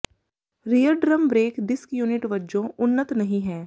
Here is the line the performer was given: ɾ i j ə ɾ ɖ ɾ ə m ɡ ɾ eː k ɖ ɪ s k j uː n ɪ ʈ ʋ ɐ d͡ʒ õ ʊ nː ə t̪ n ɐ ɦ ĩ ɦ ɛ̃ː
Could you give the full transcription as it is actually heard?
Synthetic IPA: ɾ i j ə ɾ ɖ ɾ ə m b ɾ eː k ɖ ɪ s k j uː n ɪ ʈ ʋ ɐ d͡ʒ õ ʊ nː ə t̪ n ɐ ɦ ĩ ɦ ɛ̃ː

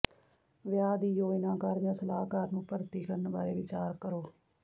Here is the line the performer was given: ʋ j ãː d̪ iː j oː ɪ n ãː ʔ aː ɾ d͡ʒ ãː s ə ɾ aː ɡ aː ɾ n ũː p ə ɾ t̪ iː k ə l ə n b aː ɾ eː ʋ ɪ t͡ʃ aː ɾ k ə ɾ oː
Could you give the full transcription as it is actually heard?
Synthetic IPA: ʋ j aː d̪ iː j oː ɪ n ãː k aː ɾ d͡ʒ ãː s ə l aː k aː ɾ n ũː p ə ɾ t̪ iː k ə ɾ ə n b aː ɾ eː ʋ ɪ t͡ʃ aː ɾ k ə ɾ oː

